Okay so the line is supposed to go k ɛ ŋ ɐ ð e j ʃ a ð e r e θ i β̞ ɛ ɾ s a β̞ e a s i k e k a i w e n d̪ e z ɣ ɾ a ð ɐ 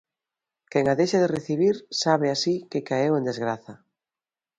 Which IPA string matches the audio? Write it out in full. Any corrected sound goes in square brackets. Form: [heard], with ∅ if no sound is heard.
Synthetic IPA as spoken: k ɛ ŋ [a] ð e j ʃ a ð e r e θ i β̞ [i] ɾ s a β̞ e a s i k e k a [e] w e n d̪ e z ɣ ɾ a [θ] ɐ